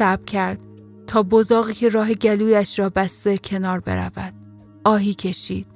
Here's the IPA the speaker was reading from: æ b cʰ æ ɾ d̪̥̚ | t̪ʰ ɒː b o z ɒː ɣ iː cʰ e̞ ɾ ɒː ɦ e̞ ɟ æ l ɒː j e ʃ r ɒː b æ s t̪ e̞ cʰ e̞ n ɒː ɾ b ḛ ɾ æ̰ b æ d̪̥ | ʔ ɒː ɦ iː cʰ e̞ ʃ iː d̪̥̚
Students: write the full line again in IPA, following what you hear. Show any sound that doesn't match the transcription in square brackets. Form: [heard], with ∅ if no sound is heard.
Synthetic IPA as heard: æ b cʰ æ ɾ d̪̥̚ | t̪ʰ ɒː b o z ɒː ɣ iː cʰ e̞ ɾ ɒː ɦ e̞ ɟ æ l [uː] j [æ] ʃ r ɒː b æ s t̪ e̞ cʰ e̞ n ɒː ɾ b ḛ ɾ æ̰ [v] æ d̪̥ | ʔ ɒː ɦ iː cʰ e̞ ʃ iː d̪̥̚